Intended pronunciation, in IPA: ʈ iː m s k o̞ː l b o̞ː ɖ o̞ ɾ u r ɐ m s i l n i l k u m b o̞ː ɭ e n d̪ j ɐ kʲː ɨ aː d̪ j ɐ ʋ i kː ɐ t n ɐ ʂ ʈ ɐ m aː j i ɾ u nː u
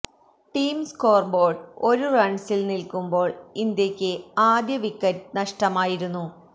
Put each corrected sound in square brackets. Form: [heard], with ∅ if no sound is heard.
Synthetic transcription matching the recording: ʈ iː m s k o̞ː [r] b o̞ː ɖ o̞ ɾ u r ɐ [ɳ] s i l n i l k u m b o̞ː ɭ [i] n d̪ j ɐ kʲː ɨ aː d̪ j ɐ ʋ i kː ɐ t n ɐ ʂ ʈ ɐ m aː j i ɾ u nː u